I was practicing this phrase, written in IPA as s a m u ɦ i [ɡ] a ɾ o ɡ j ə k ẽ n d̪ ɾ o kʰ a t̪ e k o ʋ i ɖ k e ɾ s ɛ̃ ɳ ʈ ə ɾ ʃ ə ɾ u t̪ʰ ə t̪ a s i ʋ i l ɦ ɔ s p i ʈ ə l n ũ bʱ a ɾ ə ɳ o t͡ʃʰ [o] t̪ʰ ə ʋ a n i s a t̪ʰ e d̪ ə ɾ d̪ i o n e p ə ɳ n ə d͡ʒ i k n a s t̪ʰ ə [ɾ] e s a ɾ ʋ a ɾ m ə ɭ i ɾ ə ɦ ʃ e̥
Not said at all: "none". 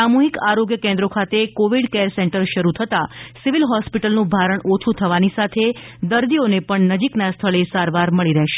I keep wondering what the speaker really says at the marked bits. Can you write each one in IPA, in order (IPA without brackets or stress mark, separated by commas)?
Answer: k, u, ɭ